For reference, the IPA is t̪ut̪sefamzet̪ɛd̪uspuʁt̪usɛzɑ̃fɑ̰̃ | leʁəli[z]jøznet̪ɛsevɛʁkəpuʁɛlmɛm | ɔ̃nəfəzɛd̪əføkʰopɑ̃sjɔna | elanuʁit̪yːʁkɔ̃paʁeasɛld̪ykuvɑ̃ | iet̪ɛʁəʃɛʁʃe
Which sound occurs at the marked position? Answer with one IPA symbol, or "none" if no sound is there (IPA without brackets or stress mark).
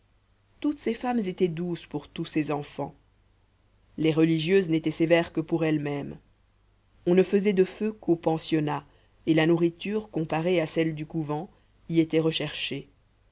ʒ